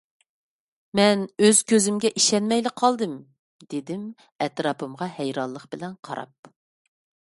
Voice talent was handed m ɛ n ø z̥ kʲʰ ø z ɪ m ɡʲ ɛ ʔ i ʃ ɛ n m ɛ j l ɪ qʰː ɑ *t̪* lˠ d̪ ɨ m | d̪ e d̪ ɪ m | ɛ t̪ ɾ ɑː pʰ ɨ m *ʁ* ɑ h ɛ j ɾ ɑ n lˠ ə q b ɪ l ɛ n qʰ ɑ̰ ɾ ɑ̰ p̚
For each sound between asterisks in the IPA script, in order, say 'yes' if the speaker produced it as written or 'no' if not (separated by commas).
no, yes